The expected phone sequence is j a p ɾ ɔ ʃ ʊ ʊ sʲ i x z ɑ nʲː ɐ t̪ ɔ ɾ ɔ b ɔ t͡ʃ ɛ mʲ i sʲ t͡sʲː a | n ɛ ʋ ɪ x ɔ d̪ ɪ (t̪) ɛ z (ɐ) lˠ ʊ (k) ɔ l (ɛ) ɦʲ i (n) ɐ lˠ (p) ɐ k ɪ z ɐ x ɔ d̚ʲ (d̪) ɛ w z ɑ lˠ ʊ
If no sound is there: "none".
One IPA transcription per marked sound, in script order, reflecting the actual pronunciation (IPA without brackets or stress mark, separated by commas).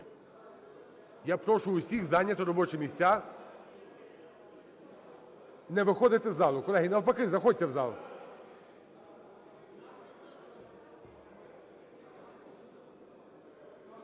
t̪, ɑ, k, ɛ, n, p, t̪